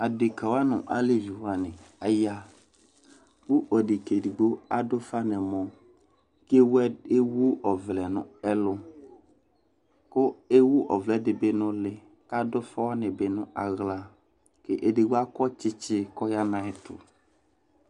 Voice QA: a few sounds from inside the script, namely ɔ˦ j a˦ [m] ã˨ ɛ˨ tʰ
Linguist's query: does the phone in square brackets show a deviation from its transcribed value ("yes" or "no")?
yes